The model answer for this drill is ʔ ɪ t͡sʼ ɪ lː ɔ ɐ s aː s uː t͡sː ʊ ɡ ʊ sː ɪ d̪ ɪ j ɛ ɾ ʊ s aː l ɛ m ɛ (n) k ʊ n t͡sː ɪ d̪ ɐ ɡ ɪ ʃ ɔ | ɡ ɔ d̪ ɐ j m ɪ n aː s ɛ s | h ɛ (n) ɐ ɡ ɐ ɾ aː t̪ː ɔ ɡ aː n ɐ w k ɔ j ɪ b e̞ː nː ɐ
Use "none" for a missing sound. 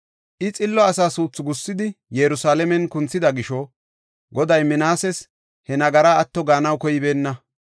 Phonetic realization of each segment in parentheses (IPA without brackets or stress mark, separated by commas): n, n